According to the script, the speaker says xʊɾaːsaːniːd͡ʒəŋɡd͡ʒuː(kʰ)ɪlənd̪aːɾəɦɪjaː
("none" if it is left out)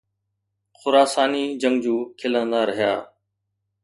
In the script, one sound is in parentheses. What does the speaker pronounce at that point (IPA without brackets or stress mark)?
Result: kʰ